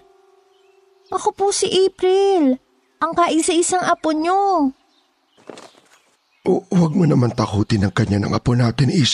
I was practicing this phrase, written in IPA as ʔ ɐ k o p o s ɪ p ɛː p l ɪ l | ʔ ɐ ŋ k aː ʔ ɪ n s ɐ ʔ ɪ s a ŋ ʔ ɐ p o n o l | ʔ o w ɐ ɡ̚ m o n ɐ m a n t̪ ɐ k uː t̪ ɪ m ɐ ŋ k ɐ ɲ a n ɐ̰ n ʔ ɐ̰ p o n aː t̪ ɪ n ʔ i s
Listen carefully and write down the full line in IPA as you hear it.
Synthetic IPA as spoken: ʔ ɐ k o p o s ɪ ʔ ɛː p ɾ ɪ l | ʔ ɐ ŋ k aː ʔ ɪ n s ɐ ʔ ɪ s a ŋ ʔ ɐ p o ɲ o | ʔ o w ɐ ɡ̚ m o n ɐ m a n t̪ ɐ k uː t̪ ɪ n ɐ ŋ k ɐ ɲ a n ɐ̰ ŋ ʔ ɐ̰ p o n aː t̪ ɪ n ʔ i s